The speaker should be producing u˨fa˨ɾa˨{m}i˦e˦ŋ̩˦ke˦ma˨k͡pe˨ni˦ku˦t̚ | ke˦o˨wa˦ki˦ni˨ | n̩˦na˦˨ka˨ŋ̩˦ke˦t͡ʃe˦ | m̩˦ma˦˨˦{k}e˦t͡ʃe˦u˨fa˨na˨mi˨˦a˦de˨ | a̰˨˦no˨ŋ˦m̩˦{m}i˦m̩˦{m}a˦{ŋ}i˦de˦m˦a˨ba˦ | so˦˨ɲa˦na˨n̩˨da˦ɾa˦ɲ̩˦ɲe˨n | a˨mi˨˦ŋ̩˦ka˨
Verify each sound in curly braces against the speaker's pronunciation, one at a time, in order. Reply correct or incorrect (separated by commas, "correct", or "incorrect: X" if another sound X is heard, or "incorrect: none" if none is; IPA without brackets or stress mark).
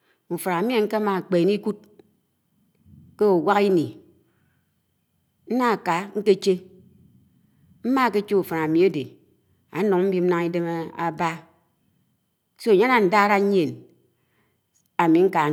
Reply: correct, correct, incorrect: b, incorrect: n, correct